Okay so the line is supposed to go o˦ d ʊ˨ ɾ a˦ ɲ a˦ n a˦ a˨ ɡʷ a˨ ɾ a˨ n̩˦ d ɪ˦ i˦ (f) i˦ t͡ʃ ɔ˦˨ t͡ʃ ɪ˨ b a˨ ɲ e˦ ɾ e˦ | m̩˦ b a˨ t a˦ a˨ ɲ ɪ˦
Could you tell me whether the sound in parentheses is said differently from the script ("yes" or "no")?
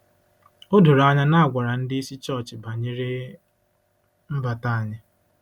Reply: yes